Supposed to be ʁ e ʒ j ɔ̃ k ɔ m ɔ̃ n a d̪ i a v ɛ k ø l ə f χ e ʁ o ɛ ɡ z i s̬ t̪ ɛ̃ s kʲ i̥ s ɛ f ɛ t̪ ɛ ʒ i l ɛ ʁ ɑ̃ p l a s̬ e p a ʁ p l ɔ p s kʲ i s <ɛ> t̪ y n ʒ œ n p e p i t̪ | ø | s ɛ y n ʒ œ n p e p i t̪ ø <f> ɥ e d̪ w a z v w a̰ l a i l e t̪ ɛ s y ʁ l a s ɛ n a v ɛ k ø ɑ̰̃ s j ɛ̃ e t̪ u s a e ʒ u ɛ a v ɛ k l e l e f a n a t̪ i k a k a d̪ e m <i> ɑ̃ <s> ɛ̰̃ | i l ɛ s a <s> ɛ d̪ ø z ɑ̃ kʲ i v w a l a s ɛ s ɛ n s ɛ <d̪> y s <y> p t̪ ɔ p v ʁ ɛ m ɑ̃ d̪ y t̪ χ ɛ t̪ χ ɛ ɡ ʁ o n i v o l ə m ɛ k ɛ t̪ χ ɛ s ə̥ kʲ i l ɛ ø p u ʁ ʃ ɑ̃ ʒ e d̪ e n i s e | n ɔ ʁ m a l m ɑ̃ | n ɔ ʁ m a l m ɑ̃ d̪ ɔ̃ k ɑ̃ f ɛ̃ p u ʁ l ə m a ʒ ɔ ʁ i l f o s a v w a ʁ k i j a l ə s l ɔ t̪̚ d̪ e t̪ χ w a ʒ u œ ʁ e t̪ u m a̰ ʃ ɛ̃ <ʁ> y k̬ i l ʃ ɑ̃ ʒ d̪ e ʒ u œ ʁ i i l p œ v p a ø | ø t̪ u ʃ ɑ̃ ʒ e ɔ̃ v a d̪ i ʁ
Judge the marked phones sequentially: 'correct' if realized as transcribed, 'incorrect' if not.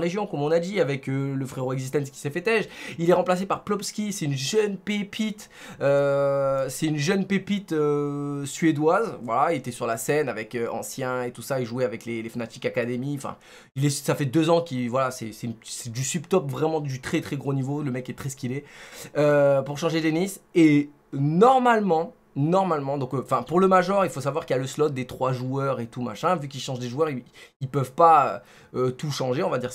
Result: correct, incorrect, correct, incorrect, incorrect, correct, correct, incorrect

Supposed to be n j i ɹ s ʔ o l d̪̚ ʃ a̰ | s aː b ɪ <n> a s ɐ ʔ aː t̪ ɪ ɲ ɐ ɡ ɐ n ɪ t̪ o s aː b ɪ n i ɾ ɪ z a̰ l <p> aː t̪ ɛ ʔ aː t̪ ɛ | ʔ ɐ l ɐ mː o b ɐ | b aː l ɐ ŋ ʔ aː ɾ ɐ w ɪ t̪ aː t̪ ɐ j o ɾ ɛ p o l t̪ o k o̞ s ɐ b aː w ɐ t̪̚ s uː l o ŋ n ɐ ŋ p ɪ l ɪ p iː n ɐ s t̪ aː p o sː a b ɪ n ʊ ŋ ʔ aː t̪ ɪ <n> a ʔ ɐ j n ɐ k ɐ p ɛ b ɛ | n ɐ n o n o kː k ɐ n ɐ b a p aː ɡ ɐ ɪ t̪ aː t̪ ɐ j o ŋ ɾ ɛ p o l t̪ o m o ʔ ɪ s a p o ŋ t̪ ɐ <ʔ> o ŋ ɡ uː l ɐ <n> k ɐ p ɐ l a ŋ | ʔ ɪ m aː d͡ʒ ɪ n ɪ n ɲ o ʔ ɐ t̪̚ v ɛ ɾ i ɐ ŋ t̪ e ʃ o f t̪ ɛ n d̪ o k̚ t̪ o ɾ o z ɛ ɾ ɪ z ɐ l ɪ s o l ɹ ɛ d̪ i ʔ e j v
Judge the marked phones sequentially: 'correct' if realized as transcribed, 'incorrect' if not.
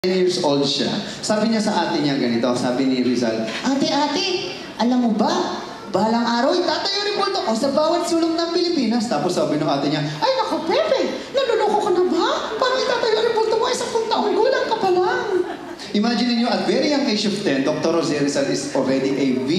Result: incorrect, incorrect, incorrect, correct, incorrect

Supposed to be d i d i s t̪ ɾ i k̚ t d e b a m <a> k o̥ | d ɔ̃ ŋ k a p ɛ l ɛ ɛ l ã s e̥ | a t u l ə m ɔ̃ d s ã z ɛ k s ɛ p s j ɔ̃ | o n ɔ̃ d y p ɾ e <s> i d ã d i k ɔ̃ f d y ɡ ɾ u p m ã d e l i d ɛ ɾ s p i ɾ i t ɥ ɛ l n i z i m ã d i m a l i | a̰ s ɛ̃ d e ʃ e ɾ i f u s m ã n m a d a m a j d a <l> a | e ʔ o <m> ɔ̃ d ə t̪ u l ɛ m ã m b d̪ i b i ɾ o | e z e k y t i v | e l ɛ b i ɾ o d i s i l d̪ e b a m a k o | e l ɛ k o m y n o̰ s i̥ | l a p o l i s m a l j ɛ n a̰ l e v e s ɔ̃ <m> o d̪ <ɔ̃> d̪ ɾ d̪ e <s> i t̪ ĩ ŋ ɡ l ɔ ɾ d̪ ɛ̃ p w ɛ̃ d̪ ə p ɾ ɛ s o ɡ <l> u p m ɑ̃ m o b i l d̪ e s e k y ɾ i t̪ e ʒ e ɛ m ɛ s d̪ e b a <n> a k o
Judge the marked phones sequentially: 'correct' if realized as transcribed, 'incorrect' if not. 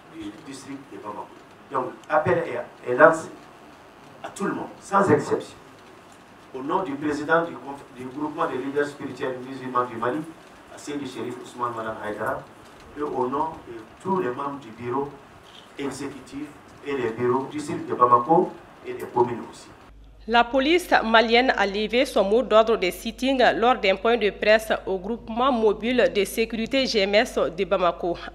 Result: correct, incorrect, incorrect, incorrect, correct, incorrect, correct, incorrect, incorrect

